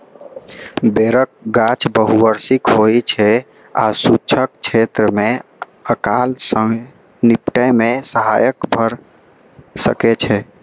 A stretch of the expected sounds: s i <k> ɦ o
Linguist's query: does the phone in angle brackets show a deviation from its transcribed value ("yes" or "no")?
no